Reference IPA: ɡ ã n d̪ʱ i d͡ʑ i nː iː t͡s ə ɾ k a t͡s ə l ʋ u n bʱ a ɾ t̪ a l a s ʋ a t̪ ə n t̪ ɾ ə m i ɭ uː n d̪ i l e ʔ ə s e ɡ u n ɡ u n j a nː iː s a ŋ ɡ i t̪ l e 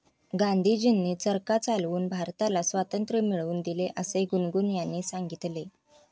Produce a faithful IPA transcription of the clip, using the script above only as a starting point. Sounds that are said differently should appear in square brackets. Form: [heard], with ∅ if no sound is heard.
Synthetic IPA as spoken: ɡ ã n d̪ʱ i d͡ʑ i nː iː t͡s ə ɾ k a t͡s [a] l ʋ [uː] n bʱ a ɾ t̪ a l a s ʋ a t̪ ə n t̪ ɾ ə m i ɭ uː n d̪ i l e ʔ ə s e ɡ u n ɡ u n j a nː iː s a ŋ ɡ i t̪ l e

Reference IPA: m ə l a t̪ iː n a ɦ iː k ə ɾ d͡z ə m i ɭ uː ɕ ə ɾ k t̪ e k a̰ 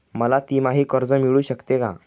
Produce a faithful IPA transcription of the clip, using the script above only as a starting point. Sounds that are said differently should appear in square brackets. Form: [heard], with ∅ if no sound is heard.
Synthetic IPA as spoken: m ə l a t̪ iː [m] a ɦ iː k ə ɾ d͡z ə m i ɭ uː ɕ ə [∅] k t̪ e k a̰

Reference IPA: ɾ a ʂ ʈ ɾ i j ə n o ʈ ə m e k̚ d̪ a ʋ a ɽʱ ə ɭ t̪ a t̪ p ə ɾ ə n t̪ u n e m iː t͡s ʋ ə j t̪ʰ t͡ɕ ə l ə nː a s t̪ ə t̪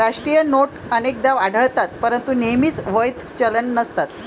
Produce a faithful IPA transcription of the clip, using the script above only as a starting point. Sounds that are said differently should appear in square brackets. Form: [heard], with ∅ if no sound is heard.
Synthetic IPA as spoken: ɾ a ʂ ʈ ɾ i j ə n o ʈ ə [n] e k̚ d̪ a ʋ a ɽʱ ə ɭ t̪ a t̪ p ə ɾ ə n t̪ u n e m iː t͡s ʋ ə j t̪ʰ t͡ɕ ə l ə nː [ə] s t̪ [a] t̪

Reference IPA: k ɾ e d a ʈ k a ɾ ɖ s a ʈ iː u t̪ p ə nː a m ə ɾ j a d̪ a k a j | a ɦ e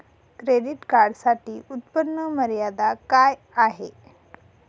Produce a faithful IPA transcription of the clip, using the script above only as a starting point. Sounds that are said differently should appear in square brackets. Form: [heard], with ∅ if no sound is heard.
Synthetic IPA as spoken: k ɾ e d [i] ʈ k a ɾ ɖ s a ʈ iː u t̪ p ə nː [ə] m ə ɾ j a d̪ a k a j | a ɦ e

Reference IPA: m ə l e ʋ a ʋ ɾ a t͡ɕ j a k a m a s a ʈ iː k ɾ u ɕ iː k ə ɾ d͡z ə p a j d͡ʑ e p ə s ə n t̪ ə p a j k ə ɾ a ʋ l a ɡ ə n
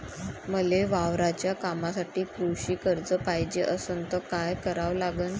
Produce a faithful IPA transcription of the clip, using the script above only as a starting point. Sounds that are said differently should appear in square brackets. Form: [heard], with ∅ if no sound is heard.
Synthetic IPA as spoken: m ə l e ʋ a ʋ ɾ a t͡ɕ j a k a m a s a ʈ iː k ɾ u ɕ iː k ə ɾ d͡z ə p a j d͡ʑ e [ʔ] ə s ə n t̪ ə [k] a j k ə ɾ a ʋ l a ɡ ə n

